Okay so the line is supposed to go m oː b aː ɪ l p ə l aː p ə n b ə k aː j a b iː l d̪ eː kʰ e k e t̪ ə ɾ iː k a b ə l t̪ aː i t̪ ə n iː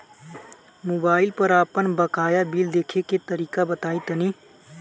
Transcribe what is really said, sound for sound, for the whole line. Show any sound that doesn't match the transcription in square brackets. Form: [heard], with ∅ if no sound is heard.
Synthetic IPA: m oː b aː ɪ l p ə [ɾ] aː p ə n b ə k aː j a b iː l d̪ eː kʰ e k e t̪ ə ɾ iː k a b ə [∅] t̪ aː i t̪ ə n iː